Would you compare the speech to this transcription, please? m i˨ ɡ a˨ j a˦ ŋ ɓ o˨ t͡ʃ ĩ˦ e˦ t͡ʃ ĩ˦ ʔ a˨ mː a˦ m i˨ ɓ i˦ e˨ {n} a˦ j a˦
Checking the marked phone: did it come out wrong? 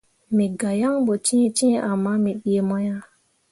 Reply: yes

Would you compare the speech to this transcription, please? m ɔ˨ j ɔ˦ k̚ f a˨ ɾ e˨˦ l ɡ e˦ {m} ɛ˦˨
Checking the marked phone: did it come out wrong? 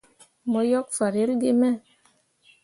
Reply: no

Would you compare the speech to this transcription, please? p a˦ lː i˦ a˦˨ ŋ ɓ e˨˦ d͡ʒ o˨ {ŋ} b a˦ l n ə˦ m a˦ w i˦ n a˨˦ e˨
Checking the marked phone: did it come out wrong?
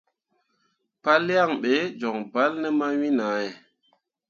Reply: no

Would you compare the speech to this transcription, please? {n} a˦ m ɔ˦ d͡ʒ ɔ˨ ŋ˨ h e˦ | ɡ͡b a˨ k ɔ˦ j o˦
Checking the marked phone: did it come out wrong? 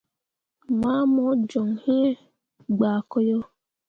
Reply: yes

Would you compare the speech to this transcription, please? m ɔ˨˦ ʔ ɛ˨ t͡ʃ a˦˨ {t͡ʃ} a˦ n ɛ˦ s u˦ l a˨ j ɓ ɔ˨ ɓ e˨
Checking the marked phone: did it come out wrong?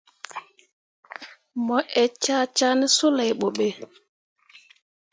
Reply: no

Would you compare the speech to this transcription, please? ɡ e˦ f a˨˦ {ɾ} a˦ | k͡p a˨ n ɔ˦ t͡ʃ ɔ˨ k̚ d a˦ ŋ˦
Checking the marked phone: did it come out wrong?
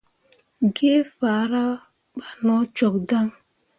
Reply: no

